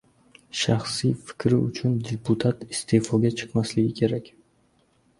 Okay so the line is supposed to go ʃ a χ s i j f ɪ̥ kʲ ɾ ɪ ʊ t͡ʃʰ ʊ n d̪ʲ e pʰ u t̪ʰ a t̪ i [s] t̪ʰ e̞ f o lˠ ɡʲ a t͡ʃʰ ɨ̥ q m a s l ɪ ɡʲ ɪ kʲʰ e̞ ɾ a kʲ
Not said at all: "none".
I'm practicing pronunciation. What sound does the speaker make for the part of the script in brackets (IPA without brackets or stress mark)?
s